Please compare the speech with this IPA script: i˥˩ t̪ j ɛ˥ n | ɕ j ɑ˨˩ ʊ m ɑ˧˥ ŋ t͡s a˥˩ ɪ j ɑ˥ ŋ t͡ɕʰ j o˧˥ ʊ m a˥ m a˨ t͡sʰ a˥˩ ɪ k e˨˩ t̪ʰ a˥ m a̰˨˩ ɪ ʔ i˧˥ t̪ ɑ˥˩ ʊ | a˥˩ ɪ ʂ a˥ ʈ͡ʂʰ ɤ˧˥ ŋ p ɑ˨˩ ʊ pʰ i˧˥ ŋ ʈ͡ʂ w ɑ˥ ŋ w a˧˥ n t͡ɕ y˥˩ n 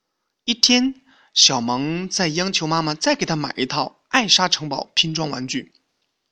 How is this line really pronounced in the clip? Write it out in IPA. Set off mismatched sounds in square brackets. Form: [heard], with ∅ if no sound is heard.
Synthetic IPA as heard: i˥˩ [t̪ʰ] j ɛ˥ n | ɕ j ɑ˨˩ ʊ m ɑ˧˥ ŋ t͡s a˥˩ ɪ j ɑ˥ ŋ t͡ɕʰ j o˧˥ ʊ m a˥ m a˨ [t͡s] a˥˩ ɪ k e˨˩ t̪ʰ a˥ m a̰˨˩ ɪ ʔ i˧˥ [t̪ʰ] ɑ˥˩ ʊ | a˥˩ ɪ ʂ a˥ ʈ͡ʂʰ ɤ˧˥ ŋ p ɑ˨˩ ʊ pʰ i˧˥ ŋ ʈ͡ʂ w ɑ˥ ŋ w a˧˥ n t͡ɕ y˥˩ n